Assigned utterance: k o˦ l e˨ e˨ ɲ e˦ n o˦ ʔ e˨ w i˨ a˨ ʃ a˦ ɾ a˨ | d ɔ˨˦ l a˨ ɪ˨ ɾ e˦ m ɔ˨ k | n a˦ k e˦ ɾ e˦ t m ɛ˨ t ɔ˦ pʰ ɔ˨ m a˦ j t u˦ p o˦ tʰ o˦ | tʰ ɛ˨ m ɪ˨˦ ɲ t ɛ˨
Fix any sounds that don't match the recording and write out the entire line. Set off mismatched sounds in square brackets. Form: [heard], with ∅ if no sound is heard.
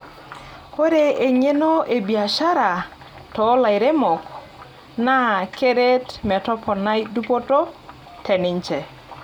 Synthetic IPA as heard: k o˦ [ɾ] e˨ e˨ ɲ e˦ n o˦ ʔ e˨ [b] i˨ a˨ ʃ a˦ ɾ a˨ | [t] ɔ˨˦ l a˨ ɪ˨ ɾ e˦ m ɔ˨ k | n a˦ k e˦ ɾ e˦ t m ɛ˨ t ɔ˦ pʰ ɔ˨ [n] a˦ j [d] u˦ p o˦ [t] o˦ | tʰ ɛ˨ [n] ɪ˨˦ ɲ [t͡ʃ] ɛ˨